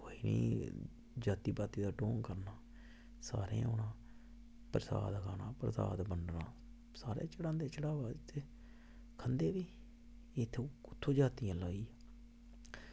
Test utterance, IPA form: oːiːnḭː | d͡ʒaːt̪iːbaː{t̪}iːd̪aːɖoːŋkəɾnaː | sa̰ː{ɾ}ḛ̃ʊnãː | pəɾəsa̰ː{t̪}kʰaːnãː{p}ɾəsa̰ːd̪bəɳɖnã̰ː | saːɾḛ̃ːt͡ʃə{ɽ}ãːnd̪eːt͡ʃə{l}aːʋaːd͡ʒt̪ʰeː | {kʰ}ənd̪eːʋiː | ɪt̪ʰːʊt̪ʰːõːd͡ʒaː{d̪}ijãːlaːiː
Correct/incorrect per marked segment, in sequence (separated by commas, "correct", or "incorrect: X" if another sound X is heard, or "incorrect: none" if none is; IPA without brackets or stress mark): correct, correct, incorrect: d̪, correct, correct, incorrect: ɽ, correct, incorrect: t̪